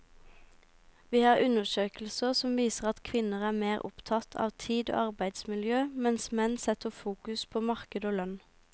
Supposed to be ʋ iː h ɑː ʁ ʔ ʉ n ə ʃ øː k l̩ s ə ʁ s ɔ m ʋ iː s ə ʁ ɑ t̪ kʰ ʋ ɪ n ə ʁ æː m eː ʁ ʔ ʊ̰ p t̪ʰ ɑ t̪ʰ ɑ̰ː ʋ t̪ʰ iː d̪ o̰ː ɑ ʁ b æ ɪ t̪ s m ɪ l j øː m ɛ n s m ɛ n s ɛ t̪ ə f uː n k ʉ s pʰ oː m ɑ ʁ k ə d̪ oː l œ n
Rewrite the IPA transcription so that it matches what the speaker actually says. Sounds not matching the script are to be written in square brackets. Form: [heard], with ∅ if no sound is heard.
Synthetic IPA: ʋ iː h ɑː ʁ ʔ ʉ n ə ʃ øː k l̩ s ə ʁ s ɔ m ʋ iː s ə ʁ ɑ t̪ kʰ ʋ ɪ n ə ʁ æː m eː ʁ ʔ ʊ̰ p t̪ʰ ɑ t̪ʰ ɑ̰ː ʋ t̪ʰ iː d̪ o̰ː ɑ ʁ b æ ɪ [d̪] s m ɪ l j øː m ɛ n s m ɛ n s ɛ t̪ ə f uː [∅] k ʉ s pʰ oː m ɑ ʁ k ə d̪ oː l œ n